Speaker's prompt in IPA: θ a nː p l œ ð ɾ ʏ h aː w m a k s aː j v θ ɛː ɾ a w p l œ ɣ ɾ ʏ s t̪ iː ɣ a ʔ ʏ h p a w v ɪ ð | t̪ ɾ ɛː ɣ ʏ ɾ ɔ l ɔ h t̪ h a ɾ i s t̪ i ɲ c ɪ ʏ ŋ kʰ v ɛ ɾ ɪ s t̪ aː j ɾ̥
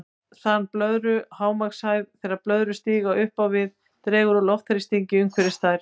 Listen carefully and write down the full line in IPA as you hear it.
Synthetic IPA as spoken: θ a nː p l œ ð ɾ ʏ h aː w m a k s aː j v θ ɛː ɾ a p l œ ð ɾ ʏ s t̪ iː ɣ a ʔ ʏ h p a w v ɪ ð | t̪ ɾ ɛː ɣ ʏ ɾ ɔ l ɔ f t̪ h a ɾ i s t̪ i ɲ c ɪ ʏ ŋ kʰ v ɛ ɾ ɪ s t̪ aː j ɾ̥